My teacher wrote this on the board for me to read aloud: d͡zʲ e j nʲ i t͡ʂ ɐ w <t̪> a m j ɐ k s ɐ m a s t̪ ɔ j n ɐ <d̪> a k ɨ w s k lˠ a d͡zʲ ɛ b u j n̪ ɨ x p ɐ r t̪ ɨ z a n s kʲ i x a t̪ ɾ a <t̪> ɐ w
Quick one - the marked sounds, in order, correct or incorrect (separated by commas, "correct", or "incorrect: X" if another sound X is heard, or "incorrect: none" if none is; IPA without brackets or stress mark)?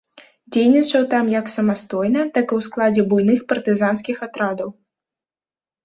correct, incorrect: t̪, incorrect: d̪